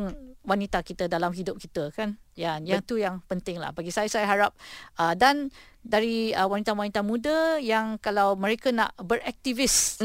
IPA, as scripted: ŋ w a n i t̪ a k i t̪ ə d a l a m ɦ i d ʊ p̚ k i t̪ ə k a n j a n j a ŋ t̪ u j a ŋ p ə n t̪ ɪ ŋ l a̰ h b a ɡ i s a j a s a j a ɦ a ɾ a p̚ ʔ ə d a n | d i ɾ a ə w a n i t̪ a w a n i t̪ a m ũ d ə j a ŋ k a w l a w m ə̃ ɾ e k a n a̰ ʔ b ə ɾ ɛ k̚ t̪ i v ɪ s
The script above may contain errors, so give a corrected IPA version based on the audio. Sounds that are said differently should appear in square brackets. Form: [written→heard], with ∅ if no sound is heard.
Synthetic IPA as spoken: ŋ w a n i t̪ a k i t̪ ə d a l a m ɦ i d ʊ p̚ k i t̪ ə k a n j a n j a ŋ t̪ u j a ŋ p ə n t̪ ɪ ŋ l a̰ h b a ɡ i s a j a s a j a ɦ a ɾ a p̚ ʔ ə d a n | d [i→a] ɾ [a→i] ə w a n i t̪ a w a n i t̪ a m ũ d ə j a ŋ k a [w→∅] l a w m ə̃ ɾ e k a n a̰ ʔ b ə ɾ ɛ k̚ t̪ i v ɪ s